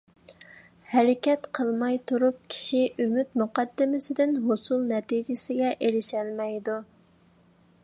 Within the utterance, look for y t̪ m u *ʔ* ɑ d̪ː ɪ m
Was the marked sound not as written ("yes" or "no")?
yes